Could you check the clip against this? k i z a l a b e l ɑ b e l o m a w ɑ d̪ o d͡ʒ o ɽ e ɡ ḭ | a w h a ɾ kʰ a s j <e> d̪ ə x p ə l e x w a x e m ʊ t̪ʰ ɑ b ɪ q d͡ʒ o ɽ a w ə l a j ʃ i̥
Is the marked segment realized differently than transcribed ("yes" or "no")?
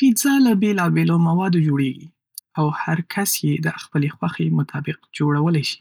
no